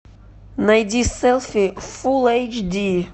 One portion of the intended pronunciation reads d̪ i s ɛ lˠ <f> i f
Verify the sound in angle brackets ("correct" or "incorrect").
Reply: correct